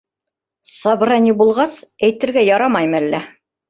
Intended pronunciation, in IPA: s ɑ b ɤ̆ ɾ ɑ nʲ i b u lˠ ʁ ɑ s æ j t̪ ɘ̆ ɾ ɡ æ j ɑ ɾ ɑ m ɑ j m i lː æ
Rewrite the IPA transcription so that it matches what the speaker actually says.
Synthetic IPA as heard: s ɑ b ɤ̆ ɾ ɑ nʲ i b u lˠ ʁ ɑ s æ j t̪ ɘ̆ ɾ ɡ æ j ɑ ɾ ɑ m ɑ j m æ lː æ

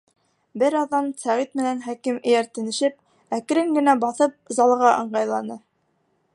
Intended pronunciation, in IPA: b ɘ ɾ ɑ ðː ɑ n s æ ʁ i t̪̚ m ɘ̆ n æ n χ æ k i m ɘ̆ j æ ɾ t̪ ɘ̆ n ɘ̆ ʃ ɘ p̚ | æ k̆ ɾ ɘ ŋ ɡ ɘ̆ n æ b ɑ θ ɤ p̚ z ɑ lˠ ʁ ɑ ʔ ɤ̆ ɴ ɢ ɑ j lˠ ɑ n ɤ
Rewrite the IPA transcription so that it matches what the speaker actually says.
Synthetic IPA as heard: b ɘ ɾ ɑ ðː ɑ n s æ ʁ i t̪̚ m ɘ̆ n æ n χ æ k i m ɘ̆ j æ ɾ t̪ ɘ̆ n ɘ̆ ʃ ɘ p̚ | æ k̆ ɾ ɘ ŋ ɡ ɘ̆ n æ b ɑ θ ɤ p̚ z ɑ lˠ ʁ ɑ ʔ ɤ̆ ɴ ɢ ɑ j lˠ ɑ n ɤ

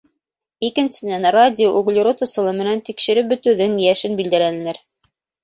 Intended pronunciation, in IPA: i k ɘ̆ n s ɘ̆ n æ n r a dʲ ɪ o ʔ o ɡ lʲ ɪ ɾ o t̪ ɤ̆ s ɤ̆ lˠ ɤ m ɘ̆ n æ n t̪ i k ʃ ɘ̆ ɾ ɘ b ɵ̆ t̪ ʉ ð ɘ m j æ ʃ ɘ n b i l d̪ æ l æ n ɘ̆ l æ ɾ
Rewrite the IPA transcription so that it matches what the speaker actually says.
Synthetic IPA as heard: i k ɘ̆ n s ɘ̆ n æ n r a dʲ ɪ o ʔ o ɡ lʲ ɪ ɾ o t̪ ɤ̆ s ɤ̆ lˠ ɤ m ɘ̆ n æ n t̪ i k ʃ ɘ̆ ɾ ɘ b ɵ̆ t̪ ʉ ð ɘ ŋ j æ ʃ ɘ n b i l d̪ æ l æ n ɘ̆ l æ ɾ

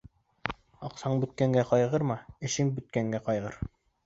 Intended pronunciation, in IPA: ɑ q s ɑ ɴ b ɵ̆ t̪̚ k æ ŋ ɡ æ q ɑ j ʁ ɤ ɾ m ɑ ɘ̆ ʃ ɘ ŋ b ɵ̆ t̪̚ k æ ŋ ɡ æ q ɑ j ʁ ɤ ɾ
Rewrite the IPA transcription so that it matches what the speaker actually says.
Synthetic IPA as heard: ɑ q s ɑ ɴ b ɵ̆ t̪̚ k æ ŋ ɡ æ q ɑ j ʁ ɤ ɾ m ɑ ɘ̆ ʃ ɘ ŋ b ɵ̆ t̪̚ k æ ŋ ɡ æ q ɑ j ʁ ɤ ɾ

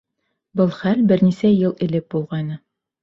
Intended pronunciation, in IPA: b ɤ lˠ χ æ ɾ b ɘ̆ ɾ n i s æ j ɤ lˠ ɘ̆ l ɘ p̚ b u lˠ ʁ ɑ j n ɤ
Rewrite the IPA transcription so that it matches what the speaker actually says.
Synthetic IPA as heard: b ɤ lˠ χ æ l b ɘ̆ ɾ n i s æ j ɤ lˠ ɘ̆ l ɘ p̚ b u lˠ ʁ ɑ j n ɤ

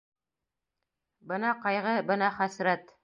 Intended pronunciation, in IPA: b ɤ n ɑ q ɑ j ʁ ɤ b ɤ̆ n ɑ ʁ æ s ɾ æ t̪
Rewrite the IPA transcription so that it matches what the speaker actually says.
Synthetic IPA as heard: b ɤ n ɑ q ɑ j ʁ ɤ b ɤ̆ n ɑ χ æ s ɾ æ t̪

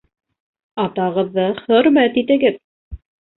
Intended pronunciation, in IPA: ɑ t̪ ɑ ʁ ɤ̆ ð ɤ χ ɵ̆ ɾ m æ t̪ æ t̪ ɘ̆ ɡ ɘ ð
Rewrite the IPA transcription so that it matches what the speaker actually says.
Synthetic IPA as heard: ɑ t̪ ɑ ʁ ɤ̆ ðː ɤ χ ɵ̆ ɾ m æ t̪ i t̪ ɘ̆ ɡ ɘ ð

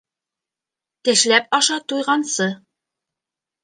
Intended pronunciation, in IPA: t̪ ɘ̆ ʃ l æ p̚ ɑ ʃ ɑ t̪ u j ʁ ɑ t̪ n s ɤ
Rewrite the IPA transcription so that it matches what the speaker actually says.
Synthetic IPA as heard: t̪ ɘ̆ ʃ l æ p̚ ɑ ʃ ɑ t̪ u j ʁ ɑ n s ɤ

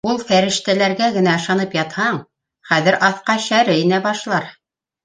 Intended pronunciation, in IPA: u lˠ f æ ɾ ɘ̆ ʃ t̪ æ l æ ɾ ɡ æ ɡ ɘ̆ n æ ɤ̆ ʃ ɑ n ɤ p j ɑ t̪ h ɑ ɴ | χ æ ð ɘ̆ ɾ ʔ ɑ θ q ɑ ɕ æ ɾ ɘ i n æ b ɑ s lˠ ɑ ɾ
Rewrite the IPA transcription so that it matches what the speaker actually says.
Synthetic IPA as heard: u lˠ f æ ɾ ɘ̆ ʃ t̪ æ l æ ɾ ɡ æ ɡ ɘ̆ n æ ɤ̆ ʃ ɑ n ɤ p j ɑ t̪ h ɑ ɴ | χ æ ð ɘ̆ ɾ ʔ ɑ θ q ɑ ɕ æ ɾ ɘ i n æ b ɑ ʃ lˠ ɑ ɾ

